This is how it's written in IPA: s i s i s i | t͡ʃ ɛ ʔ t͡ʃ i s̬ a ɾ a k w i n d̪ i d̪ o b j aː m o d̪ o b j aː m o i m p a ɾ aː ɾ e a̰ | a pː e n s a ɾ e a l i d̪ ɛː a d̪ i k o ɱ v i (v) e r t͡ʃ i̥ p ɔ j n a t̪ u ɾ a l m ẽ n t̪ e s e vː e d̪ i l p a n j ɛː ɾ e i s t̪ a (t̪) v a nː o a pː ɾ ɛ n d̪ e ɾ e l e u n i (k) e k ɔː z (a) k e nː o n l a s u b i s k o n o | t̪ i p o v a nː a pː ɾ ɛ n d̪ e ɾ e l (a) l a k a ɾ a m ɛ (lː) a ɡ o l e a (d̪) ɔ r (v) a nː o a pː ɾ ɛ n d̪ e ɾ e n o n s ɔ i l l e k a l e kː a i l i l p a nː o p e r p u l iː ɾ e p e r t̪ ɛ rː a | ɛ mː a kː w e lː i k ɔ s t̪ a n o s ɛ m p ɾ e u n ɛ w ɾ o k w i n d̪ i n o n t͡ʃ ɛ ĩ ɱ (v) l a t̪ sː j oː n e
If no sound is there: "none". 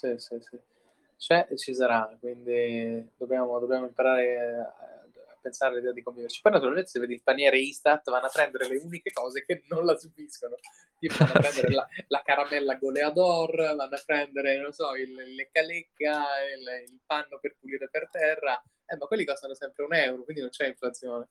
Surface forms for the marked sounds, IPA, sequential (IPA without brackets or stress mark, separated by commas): v, t̪, k, e, a, lː, d̪, v, f